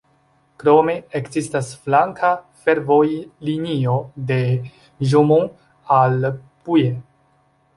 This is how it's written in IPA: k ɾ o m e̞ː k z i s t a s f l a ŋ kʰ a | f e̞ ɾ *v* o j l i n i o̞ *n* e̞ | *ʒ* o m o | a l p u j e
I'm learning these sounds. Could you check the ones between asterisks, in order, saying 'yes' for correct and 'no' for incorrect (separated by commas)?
yes, no, yes